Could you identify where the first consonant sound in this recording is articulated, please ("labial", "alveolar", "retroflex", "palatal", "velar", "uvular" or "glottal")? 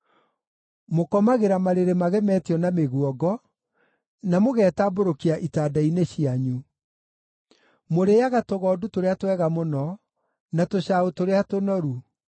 labial